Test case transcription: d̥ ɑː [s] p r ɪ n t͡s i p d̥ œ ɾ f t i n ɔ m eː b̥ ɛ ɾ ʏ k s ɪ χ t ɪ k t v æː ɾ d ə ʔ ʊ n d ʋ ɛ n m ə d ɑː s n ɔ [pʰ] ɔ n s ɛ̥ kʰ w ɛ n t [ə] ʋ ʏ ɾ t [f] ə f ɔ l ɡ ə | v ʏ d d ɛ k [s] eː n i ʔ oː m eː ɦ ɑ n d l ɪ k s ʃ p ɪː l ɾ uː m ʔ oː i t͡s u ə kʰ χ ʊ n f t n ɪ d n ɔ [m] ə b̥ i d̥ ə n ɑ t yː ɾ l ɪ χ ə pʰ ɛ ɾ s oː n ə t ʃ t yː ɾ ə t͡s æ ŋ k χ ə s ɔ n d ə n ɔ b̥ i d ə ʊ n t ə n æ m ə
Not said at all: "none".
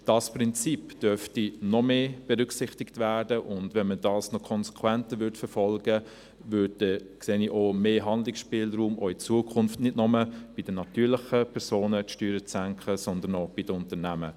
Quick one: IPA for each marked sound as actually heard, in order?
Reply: s, kʰ, ə, f, s, m

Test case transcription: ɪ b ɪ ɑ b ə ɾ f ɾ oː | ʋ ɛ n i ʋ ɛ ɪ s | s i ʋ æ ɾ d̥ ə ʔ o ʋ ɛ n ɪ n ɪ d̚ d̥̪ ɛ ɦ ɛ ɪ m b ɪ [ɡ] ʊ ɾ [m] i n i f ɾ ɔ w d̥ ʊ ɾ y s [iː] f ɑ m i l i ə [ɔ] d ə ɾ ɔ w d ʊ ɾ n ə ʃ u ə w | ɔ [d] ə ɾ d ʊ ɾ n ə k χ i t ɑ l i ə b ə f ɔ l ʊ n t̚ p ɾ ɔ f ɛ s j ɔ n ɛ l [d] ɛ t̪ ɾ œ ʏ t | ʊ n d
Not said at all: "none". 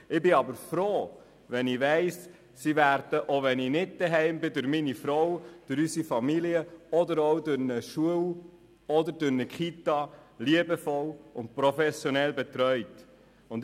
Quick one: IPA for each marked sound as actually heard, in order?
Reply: d, m, i, ɔ, d, b

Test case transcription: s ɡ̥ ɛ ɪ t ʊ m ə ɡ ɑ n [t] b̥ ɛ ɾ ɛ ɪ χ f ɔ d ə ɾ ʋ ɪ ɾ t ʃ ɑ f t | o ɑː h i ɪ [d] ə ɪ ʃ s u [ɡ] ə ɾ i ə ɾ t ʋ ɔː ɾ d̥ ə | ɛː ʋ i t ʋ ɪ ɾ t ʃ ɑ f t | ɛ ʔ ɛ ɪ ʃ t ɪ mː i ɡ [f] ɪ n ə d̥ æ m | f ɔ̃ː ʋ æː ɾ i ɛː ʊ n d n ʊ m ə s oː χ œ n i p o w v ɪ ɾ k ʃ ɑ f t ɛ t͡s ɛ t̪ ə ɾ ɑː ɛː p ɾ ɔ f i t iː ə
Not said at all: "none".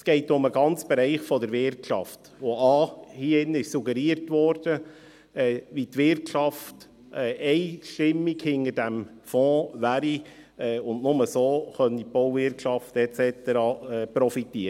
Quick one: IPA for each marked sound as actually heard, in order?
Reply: t͡s, n, ɡ, h

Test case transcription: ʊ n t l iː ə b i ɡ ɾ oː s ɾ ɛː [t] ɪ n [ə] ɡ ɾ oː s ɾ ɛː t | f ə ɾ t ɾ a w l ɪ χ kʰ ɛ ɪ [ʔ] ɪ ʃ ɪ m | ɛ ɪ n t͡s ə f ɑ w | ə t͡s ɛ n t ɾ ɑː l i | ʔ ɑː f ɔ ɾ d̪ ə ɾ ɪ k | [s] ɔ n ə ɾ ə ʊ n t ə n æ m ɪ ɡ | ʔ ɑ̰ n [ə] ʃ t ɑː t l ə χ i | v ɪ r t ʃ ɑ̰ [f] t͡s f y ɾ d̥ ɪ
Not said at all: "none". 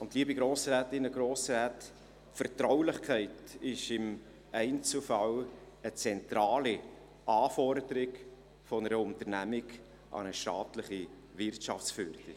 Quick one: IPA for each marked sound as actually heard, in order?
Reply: t, ə, t, f, ə, f

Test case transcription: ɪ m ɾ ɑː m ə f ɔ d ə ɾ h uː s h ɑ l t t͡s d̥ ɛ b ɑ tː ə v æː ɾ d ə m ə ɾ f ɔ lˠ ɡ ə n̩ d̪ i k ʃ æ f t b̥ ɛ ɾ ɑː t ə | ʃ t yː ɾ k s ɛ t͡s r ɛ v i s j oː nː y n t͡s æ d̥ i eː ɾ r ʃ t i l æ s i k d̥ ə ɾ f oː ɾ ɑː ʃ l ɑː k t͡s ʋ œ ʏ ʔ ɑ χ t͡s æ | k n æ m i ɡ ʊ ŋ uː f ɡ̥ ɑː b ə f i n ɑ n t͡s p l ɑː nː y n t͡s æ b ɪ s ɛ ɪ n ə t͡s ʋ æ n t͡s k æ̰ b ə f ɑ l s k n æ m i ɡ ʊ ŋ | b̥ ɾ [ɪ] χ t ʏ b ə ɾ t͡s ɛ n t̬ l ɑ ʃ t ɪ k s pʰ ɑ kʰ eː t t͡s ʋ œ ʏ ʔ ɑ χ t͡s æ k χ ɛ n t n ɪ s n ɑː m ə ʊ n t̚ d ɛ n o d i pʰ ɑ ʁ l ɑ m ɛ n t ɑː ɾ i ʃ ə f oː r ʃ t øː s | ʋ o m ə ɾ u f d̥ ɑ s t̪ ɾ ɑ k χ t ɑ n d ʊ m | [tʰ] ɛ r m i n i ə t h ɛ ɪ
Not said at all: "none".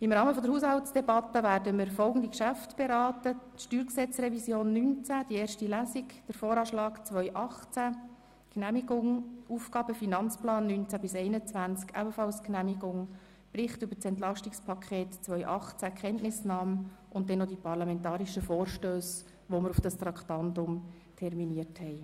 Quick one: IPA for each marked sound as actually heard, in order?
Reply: ɪ, tʰ

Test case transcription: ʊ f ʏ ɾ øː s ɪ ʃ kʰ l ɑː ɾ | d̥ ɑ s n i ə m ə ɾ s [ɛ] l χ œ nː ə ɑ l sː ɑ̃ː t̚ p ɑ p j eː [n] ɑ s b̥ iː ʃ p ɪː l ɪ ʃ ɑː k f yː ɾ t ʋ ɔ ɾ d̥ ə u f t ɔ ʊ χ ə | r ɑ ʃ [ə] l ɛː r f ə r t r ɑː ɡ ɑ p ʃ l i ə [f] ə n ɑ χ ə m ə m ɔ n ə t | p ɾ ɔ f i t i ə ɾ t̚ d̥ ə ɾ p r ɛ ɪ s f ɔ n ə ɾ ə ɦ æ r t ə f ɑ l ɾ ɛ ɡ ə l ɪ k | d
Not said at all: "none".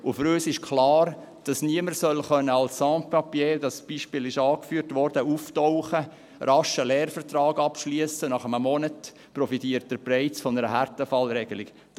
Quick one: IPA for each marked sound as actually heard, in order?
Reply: œ, d, ə, s

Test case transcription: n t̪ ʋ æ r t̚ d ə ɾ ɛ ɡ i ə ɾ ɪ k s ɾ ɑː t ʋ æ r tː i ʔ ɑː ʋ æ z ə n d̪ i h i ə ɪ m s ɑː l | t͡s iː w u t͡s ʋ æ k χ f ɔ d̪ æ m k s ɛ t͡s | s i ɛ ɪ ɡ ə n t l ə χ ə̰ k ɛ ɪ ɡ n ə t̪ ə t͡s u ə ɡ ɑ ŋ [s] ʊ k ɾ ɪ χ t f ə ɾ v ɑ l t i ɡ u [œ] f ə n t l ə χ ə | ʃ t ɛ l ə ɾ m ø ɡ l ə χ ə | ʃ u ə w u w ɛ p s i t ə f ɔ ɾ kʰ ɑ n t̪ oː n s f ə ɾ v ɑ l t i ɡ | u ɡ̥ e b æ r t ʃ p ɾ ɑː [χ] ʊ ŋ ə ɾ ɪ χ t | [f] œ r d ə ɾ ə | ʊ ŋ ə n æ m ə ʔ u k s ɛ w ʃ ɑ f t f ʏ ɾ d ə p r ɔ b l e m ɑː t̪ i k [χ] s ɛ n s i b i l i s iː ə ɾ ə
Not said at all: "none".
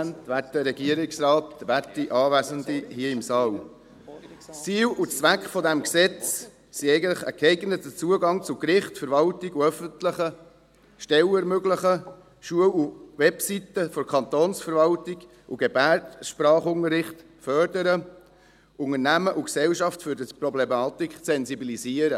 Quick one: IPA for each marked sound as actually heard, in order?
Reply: t͡s, œ, χ, f, χ

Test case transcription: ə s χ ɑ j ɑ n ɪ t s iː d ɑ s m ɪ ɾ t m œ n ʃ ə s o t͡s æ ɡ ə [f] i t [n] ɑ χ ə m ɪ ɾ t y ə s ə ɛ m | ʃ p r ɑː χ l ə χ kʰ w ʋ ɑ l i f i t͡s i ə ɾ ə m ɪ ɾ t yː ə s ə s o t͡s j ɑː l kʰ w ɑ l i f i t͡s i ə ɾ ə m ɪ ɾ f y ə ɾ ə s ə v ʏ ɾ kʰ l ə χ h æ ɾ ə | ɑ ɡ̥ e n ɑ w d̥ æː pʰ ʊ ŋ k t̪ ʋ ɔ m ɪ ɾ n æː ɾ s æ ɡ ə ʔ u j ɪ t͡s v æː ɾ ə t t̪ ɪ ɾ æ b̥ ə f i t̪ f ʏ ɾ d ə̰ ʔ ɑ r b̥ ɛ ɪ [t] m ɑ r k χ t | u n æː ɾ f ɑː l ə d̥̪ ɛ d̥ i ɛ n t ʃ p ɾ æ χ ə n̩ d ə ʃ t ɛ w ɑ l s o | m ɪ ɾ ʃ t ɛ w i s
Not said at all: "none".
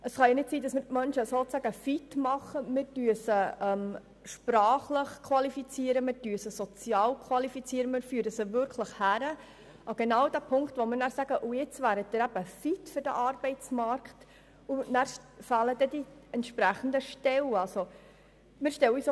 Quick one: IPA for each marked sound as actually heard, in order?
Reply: f, m, t͡s

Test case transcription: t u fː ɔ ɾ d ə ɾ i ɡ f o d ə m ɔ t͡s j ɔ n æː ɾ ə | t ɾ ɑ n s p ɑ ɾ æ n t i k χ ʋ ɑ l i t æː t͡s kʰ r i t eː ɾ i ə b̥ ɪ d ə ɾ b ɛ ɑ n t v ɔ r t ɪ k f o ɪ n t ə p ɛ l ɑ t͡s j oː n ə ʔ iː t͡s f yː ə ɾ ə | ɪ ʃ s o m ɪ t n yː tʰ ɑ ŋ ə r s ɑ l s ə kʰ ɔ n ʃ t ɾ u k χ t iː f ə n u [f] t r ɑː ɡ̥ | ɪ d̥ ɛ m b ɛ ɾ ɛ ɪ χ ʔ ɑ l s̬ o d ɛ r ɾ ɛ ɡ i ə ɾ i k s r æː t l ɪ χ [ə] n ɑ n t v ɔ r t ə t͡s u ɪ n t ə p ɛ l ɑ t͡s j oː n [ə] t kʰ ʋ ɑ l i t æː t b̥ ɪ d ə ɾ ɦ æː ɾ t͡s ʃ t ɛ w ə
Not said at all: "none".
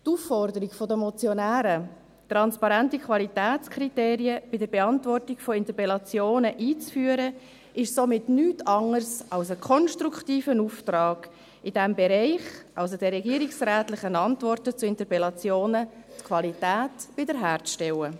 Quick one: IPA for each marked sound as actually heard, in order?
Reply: f, ə, ə

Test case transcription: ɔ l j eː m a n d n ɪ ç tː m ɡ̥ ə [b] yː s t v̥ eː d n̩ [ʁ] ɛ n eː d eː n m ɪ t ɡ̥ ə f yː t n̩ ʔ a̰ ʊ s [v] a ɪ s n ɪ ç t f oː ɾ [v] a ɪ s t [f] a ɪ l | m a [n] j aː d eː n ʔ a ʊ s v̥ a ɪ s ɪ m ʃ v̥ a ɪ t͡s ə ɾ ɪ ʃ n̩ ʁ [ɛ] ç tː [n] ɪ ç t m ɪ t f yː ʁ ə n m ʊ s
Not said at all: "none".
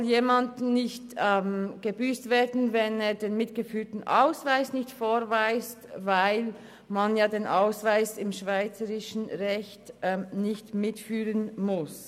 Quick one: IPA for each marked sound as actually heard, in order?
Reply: b, v, v, v, v, n, ɛ, n

